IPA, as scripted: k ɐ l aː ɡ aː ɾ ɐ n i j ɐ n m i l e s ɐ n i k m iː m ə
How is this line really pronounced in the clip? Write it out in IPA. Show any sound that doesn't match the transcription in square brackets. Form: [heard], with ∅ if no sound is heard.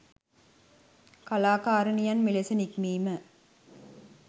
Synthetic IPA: k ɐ l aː [k] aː ɾ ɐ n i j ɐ n m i l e s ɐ n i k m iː m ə